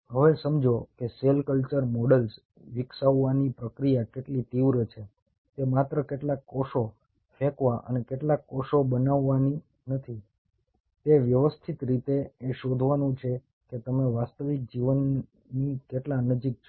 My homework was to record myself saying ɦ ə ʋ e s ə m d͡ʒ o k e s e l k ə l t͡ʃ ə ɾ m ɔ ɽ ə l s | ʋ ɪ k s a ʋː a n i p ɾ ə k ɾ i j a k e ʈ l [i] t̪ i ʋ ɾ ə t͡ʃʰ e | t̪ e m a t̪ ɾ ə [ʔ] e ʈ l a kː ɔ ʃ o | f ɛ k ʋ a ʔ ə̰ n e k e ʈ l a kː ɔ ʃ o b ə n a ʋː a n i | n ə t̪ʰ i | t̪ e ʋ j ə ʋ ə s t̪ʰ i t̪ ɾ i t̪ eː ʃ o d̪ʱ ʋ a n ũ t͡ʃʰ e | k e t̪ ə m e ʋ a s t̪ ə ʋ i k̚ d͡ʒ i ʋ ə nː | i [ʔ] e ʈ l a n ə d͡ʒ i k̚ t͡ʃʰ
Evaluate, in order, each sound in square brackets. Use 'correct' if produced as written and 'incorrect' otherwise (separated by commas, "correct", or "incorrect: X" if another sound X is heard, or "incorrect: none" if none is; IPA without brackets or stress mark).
correct, incorrect: k, incorrect: k